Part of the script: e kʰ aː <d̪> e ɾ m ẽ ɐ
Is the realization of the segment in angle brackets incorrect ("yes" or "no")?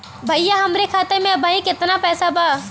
yes